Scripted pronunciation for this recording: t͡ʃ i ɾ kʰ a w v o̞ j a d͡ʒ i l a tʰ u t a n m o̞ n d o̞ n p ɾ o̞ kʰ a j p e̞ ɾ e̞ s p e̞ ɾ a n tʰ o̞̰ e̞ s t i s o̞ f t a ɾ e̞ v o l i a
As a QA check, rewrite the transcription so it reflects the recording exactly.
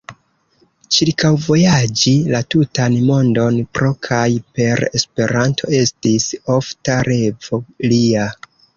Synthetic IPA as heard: t͡ʃ i ɾ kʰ a w v o̞ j a d͡ʒ i l a t u t a n m o̞ n d o̞ n p ɾ o̞ kʰ a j p e̞ ɾ e̞ s p e̞ ɾ a n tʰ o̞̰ e̞ s t i s o̞ f t a ɾ e̞ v o l i a